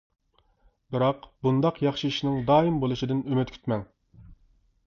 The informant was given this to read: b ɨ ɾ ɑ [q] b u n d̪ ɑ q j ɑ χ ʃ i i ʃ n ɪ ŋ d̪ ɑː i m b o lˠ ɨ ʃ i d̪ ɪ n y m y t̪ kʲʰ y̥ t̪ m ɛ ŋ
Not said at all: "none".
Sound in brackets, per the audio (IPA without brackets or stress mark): q